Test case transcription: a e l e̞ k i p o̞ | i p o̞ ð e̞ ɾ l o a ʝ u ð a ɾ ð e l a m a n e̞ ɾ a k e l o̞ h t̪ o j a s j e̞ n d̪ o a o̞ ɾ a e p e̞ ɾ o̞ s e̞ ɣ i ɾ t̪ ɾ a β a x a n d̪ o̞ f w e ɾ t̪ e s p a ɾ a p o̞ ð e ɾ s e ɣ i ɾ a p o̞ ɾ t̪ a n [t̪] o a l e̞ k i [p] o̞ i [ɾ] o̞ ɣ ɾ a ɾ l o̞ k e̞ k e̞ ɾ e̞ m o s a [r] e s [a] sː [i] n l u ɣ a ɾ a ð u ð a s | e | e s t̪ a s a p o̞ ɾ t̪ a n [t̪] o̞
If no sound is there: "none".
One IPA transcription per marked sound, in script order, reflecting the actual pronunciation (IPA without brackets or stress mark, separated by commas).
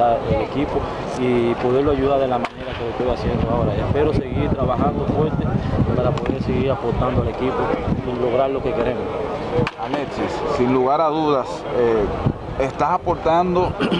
d̪, p, l, l, i, i, d̪